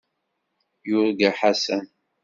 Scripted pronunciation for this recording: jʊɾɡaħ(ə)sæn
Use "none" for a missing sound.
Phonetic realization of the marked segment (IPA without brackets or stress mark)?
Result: a